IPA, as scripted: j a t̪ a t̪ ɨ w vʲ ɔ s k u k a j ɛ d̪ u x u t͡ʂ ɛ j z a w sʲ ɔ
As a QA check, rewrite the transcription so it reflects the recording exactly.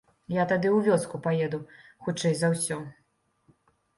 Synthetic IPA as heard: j a t̪ a d̪ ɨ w vʲ ɔ s k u p a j ɛ d̪ u x u t͡ʂ ɛ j z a w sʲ ɔ